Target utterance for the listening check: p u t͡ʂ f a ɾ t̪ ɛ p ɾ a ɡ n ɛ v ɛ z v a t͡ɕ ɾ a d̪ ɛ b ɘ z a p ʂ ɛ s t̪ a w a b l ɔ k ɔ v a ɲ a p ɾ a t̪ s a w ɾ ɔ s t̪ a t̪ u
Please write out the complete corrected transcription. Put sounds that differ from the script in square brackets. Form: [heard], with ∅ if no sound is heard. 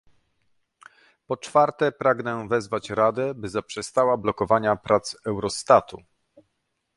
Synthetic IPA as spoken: p [ɔ] t͡ʂ f a ɾ t̪ ɛ p ɾ a ɡ n ɛ v ɛ z v a t͡ɕ ɾ a d̪ ɛ b ɘ z a p ʂ ɛ s t̪ a w a b l ɔ k ɔ v a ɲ a p ɾ a t̪ s [ɛ] w ɾ ɔ s t̪ a t̪ u